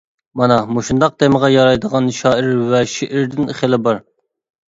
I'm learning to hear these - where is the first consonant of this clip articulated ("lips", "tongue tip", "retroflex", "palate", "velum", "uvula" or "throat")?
lips